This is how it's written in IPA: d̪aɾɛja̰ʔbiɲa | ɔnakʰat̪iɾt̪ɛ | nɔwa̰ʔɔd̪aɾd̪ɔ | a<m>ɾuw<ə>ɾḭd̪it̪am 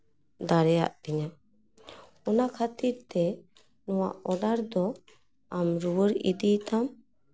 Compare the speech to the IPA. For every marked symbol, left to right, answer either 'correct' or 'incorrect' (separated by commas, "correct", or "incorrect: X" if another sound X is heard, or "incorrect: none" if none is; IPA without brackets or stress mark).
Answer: correct, correct